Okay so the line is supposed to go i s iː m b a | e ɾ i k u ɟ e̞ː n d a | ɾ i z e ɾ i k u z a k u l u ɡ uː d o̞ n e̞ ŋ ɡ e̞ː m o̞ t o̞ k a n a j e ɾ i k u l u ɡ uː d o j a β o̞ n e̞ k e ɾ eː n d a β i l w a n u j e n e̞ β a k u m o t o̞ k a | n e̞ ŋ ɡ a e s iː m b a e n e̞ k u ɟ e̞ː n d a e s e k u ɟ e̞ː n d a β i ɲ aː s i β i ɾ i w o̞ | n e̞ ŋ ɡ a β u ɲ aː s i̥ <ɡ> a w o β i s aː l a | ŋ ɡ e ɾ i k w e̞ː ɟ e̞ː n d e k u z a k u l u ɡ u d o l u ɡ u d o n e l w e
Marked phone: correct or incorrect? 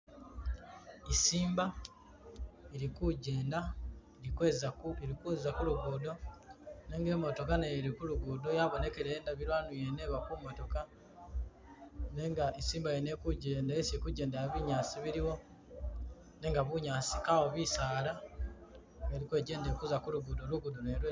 incorrect